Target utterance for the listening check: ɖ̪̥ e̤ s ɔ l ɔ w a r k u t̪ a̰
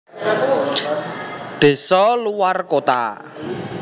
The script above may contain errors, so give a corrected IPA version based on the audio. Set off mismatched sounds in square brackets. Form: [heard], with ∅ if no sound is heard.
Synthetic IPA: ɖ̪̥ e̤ s ɔ l [u] w a r k [o] t̪ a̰